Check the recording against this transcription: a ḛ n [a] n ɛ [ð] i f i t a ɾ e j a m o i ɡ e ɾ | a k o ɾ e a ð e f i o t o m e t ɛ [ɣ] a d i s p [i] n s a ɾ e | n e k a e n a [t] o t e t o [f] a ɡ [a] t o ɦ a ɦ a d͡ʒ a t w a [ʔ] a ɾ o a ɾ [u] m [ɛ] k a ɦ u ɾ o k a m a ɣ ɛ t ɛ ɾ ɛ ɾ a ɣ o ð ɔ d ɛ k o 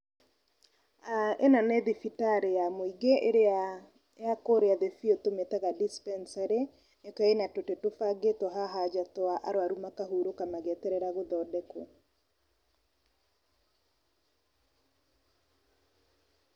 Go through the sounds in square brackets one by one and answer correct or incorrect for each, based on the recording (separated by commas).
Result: correct, correct, correct, incorrect, correct, correct, incorrect, correct, correct, incorrect